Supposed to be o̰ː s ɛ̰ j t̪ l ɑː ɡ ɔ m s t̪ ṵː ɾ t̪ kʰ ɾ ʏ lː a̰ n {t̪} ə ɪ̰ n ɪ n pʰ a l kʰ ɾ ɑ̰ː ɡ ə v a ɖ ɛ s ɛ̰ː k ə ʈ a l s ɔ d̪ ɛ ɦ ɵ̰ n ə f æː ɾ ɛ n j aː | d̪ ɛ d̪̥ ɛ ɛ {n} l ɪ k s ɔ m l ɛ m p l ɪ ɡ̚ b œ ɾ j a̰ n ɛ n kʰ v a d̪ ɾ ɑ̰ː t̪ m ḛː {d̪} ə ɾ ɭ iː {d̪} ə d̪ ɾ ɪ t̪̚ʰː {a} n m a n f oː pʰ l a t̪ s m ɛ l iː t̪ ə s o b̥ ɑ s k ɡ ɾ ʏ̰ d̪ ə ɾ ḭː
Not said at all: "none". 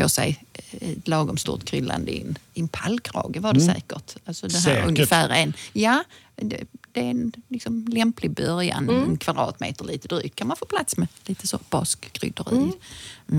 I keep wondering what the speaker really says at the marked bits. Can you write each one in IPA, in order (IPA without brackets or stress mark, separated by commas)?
d̪, n, t̪, t̪, a